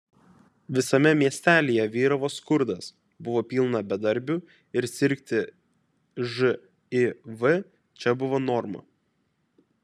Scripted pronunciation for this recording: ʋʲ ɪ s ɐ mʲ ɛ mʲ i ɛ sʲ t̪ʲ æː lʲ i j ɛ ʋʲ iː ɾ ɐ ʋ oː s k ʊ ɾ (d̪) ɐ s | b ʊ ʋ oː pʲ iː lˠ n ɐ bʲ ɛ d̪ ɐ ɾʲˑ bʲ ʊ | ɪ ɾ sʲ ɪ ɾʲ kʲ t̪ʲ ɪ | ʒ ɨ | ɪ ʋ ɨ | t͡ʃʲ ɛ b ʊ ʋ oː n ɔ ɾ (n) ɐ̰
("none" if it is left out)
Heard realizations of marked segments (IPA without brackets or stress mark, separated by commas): d̪, m